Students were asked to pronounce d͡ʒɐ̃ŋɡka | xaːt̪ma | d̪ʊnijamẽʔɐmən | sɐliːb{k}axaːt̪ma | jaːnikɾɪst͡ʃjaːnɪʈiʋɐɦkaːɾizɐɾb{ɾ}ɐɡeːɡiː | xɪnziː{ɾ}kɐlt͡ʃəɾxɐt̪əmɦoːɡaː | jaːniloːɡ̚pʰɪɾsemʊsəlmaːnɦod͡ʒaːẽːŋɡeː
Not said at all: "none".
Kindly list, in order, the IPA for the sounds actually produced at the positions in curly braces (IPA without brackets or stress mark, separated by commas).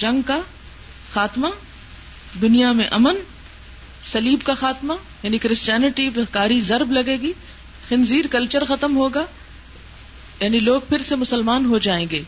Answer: k, l, ɾ